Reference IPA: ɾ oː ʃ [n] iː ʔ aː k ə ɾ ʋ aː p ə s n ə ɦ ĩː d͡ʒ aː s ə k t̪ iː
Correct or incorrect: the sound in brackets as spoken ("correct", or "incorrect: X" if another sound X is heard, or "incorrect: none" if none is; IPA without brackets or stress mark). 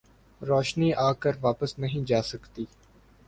correct